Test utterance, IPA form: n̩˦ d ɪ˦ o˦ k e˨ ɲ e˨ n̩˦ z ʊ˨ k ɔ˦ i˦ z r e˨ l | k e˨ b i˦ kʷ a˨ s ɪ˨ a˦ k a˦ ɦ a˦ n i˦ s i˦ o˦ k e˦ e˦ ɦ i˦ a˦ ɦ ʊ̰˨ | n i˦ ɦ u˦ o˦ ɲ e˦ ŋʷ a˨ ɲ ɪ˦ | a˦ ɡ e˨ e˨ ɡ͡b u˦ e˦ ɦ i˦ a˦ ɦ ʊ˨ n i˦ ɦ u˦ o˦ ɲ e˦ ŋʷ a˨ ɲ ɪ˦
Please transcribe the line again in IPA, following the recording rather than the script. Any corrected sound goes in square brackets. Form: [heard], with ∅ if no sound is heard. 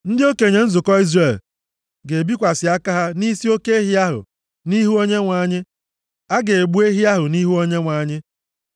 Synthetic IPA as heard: n̩˦ d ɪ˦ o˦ k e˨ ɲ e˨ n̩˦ z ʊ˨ k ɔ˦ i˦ z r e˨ l | [ɡ] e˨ b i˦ kʷ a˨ s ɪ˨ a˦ k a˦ ɦ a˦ n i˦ s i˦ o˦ k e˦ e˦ ɦ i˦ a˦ ɦ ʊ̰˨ | n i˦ ɦ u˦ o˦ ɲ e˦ ŋʷ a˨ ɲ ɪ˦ | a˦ ɡ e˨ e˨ ɡ͡b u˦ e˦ ɦ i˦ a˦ ɦ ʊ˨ n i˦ ɦ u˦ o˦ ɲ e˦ ŋʷ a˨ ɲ ɪ˦